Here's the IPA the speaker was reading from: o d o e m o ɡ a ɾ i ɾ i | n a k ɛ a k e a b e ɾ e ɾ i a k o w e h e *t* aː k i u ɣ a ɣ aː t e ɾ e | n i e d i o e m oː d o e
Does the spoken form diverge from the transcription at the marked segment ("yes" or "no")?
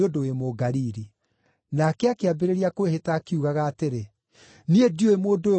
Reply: no